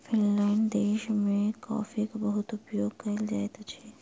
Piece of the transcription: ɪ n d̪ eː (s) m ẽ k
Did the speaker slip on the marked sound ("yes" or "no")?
yes